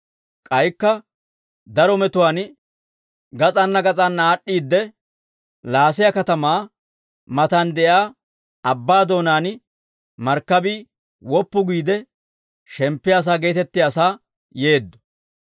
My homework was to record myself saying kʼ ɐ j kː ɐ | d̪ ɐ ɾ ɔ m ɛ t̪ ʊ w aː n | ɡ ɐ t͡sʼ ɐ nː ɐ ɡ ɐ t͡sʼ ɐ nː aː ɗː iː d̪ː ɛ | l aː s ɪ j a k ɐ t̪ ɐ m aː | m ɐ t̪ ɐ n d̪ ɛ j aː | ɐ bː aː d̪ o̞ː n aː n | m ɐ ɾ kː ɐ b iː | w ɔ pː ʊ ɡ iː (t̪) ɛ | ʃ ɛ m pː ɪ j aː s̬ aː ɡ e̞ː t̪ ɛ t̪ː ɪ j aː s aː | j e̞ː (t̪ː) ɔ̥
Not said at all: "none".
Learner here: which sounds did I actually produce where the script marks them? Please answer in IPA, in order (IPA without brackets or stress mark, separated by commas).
d̪, d̪ː